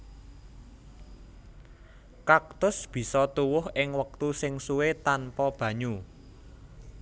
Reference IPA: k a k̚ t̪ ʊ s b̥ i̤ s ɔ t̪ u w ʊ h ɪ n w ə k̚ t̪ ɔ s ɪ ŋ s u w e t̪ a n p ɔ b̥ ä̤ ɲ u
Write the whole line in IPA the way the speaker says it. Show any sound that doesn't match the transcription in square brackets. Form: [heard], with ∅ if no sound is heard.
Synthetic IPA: k a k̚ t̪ ʊ s b̥ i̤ s ɔ t̪ u w ʊ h ɪ [ŋ] w ə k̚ t̪ [u] s ɪ ŋ s u w e t̪ a n p ɔ b̥ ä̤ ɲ u